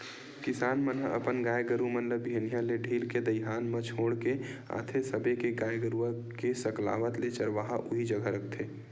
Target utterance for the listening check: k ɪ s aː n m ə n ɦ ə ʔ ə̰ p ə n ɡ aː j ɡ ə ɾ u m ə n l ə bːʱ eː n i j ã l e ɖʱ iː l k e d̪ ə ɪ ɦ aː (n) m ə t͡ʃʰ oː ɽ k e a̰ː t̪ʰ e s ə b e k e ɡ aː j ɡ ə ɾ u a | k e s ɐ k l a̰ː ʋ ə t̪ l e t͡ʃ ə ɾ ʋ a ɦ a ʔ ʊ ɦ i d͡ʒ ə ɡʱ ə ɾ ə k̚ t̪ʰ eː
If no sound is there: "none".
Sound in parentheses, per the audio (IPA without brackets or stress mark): n